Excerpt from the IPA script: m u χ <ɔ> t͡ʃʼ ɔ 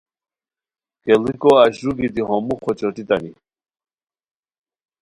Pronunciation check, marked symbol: correct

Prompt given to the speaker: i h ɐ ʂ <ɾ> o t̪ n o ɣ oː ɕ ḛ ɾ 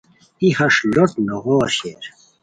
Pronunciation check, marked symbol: incorrect: l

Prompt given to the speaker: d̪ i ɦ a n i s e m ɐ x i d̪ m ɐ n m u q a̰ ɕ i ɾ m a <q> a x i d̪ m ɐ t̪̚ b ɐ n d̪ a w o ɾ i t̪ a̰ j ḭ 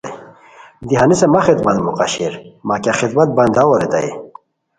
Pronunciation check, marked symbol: incorrect: k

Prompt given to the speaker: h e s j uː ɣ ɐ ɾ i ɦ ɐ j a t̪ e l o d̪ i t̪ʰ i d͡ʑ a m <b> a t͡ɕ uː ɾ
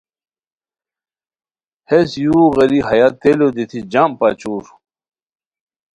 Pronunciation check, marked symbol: incorrect: p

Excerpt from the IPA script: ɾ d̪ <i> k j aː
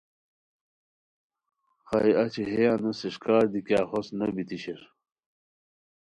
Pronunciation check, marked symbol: correct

